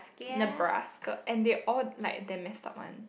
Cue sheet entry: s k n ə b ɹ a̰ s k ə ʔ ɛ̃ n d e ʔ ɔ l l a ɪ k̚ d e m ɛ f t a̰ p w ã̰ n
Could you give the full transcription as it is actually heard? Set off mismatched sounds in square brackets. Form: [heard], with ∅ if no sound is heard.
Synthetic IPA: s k n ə b ɹ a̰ s k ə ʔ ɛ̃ n d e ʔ ɔ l l a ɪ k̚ d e m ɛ [s] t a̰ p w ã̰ n